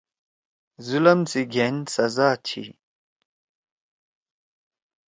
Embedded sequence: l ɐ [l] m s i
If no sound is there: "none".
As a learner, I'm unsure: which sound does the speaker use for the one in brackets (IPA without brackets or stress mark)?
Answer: none